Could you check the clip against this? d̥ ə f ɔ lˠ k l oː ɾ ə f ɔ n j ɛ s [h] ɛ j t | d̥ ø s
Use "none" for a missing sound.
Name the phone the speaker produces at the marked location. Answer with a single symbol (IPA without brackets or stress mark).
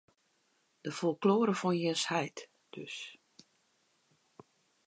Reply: h